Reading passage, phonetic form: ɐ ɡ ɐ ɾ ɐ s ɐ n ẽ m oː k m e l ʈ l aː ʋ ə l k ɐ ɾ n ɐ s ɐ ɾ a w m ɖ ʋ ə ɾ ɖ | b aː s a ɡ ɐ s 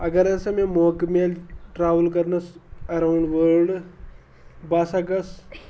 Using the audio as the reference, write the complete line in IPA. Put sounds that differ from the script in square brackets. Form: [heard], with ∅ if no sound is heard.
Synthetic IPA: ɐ ɡ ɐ ɾ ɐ s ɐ [m] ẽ m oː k m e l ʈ [ɾ] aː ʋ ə l k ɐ ɾ n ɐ s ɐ ɾ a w [ɳ] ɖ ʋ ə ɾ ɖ | b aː s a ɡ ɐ s